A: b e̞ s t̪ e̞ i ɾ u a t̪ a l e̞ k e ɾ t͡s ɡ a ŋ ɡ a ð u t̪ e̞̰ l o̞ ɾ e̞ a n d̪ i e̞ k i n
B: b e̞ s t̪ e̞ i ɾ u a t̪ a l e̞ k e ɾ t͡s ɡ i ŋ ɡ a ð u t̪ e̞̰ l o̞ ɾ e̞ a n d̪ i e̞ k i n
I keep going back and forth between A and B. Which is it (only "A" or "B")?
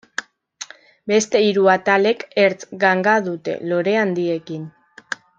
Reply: A